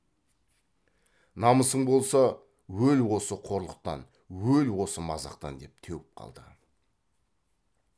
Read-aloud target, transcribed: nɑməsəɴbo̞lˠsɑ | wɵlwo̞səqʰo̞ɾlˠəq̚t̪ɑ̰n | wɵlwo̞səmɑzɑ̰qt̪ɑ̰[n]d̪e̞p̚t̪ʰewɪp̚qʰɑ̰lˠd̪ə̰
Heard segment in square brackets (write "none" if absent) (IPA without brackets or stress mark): n